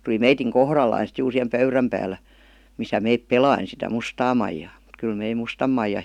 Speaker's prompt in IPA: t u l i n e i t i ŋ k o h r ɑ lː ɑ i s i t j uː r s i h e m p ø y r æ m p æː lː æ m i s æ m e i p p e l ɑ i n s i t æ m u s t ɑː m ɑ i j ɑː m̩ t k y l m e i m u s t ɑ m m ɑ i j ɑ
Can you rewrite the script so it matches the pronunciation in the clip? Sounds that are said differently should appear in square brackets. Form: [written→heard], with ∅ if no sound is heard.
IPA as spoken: t u l i [n→m] e i t i ŋ k o h r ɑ lː ɑ i s i t j uː r s i h e m p ø y r æ m p æː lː æ m i s æ m e i p p e l ɑ i n s i t æ m u s t ɑː m ɑ i j ɑː m̩ t k y l m e i m u s t ɑ m m ɑ i j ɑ